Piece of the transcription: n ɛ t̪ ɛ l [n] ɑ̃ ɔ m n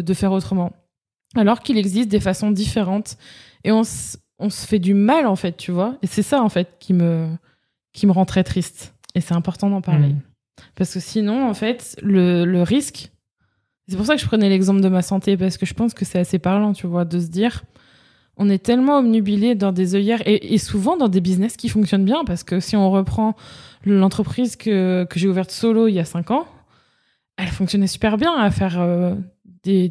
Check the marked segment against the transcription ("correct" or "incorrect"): incorrect